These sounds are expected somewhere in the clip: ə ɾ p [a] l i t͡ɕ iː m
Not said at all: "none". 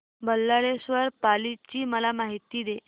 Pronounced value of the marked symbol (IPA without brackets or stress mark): a